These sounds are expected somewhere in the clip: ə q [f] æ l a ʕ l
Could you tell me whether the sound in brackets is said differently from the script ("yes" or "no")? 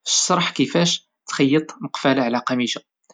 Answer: no